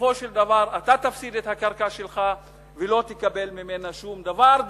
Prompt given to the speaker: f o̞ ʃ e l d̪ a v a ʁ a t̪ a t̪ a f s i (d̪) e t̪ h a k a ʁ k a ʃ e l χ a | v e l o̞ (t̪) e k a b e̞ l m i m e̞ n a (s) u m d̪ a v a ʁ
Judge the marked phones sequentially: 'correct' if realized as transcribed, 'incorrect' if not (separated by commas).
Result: correct, correct, incorrect